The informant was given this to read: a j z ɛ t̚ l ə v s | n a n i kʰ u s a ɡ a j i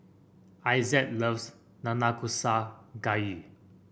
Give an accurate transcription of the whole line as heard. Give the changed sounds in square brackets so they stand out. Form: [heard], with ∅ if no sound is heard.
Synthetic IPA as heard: a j z ɛ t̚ l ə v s | n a n [a] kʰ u s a ɡ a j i